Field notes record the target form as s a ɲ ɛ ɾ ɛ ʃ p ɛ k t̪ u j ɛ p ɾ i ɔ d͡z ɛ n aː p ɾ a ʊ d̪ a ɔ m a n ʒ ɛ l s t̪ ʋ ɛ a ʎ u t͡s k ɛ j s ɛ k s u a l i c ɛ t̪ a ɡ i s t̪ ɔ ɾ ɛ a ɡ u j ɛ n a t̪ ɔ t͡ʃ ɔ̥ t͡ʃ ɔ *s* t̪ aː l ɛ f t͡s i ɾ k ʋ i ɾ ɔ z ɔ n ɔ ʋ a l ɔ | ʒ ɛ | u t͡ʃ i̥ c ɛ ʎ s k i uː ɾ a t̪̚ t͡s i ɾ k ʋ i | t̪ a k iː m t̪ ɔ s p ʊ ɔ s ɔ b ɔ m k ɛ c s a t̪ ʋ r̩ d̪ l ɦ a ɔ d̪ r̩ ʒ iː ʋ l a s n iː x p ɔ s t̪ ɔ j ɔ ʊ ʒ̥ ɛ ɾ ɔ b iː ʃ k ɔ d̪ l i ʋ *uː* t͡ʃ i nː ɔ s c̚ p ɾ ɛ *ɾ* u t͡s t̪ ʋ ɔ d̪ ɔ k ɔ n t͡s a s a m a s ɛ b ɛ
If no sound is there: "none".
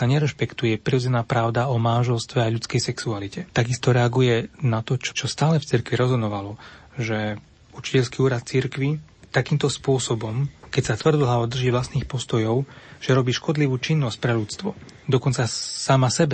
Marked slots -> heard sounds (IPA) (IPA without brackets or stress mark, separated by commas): s, uː, ʎ